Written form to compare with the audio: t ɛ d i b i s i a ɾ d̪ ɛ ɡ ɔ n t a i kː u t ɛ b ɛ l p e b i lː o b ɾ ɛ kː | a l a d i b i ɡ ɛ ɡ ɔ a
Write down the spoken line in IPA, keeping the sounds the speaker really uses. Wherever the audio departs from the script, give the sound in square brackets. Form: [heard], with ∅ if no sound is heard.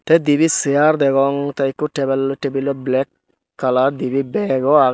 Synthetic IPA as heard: t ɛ d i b i s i a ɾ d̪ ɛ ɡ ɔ [ŋ] t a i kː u t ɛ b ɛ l [t] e b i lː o b [l] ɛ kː | a l a d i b i [b] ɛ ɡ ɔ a